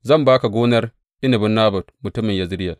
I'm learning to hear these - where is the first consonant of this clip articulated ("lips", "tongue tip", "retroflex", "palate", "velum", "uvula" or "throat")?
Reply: tongue tip